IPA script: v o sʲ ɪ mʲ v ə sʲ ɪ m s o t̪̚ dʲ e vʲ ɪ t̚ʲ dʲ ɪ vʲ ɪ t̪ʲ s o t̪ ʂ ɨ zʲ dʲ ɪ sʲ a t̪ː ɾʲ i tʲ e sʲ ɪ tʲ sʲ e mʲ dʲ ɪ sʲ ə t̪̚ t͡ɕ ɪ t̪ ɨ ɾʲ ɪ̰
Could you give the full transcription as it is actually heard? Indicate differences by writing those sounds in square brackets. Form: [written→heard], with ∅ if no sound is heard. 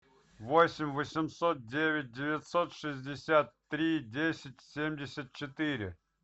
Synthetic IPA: v o sʲ ɪ mʲ v ə sʲ ɪ m s o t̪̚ dʲ e vʲ ɪ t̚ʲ dʲ ɪ vʲ ɪ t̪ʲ s o t̪ ʂ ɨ zʲ dʲ ɪ sʲ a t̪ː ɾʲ i [tʲ→dʲ] e sʲ ɪ tʲ sʲ e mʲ dʲ ɪ sʲ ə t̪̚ t͡ɕ ɪ t̪ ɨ ɾʲ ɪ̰